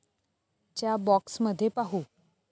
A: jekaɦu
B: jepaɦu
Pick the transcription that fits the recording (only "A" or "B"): B